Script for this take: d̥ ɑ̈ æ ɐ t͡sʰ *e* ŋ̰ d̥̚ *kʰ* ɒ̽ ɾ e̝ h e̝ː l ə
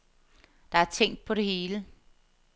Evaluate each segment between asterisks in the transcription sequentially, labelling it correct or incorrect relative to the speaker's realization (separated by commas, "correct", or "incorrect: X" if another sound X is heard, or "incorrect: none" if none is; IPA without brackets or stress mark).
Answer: correct, incorrect: pʰ